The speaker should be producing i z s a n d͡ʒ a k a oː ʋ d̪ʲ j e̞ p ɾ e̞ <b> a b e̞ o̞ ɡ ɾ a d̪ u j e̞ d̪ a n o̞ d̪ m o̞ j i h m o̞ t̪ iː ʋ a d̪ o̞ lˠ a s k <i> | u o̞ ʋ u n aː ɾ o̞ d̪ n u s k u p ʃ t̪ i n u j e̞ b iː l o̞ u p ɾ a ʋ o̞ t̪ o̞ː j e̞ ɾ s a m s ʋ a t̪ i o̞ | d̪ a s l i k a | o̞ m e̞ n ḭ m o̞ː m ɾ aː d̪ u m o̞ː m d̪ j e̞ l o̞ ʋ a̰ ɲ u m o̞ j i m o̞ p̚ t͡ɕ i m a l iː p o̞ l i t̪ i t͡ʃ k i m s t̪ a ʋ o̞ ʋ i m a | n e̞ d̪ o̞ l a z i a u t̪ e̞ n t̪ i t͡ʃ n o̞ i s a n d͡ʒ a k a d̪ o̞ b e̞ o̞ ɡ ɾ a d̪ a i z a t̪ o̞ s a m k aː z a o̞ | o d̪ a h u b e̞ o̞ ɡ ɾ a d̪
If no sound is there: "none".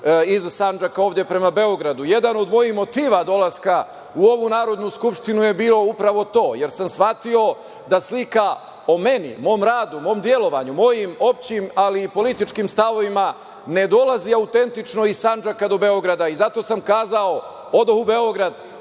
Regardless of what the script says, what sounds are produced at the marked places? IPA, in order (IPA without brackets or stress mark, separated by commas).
m, a